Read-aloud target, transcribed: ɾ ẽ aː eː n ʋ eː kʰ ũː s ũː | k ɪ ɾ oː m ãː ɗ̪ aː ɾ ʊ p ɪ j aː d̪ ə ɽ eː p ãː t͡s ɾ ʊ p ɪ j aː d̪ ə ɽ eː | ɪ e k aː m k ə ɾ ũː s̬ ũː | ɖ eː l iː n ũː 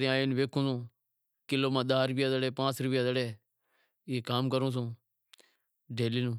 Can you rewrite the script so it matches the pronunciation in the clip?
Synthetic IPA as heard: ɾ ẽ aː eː n ʋ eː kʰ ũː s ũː | k ɪ l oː m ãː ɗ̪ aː ɾ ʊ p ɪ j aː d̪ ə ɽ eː p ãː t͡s ɾ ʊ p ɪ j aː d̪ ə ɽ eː | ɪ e k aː m k ə ɾ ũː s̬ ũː | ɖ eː l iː n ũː